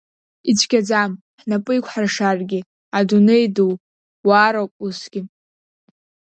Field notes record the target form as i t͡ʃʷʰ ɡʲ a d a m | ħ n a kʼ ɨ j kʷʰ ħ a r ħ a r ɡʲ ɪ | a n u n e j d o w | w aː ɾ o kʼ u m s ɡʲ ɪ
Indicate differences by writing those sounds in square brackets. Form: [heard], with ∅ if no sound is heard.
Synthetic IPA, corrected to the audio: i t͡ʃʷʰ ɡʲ a [d͡z] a m | ħ n a [pʼ] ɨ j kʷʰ ħ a r [ʂ] a r ɡʲ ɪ | a [d] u n e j d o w | w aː ɾ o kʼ u [∅] s ɡʲ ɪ